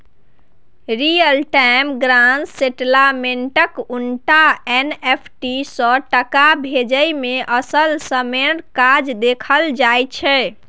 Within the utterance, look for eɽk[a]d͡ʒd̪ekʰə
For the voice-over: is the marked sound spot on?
yes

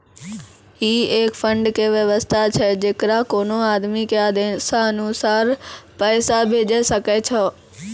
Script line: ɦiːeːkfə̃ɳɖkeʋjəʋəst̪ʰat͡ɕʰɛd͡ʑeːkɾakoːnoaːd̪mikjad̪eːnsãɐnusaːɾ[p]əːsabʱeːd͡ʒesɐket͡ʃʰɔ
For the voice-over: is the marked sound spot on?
yes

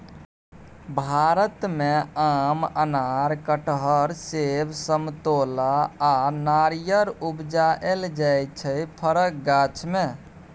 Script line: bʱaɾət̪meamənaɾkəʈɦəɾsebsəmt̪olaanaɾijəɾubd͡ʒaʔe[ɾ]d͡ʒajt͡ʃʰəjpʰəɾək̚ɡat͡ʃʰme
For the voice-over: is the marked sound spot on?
no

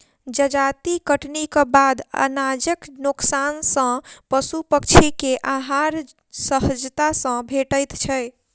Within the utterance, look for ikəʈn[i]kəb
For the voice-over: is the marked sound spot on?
yes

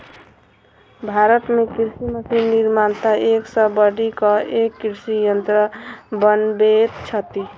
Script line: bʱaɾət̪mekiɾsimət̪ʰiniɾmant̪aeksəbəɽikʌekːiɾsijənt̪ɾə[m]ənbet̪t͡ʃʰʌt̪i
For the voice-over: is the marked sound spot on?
no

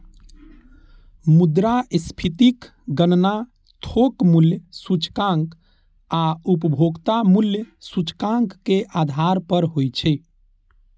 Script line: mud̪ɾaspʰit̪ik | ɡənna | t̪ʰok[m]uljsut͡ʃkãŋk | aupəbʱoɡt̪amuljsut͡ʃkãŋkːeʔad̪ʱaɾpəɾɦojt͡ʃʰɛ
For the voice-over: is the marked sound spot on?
yes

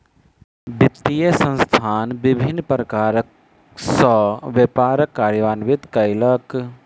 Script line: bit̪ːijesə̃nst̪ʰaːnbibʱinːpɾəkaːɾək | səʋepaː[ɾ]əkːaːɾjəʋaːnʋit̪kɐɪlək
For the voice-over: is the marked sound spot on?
yes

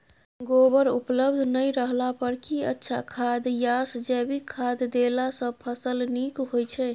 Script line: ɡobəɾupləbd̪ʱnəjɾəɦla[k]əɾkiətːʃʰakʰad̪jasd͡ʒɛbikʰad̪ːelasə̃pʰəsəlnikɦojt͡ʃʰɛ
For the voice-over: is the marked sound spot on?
no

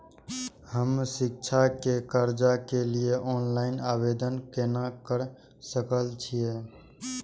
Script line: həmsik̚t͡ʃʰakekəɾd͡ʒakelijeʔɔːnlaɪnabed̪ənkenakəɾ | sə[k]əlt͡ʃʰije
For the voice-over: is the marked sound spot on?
yes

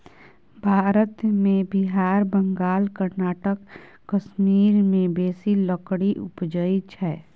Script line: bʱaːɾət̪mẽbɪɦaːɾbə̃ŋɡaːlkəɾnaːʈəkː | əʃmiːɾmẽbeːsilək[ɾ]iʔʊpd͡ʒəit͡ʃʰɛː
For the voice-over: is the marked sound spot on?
no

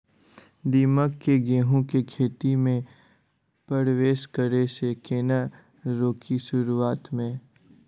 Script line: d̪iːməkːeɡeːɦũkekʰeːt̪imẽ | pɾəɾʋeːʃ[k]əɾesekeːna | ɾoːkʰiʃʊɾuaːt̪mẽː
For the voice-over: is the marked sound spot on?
yes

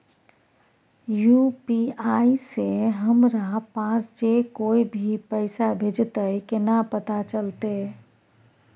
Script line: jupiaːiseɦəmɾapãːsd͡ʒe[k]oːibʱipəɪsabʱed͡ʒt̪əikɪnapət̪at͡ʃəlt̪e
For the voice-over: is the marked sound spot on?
yes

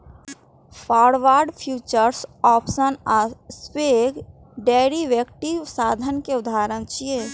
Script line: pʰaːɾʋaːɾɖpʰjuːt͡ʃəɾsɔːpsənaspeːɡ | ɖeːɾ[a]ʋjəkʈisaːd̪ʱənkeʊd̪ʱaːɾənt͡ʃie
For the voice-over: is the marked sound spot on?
no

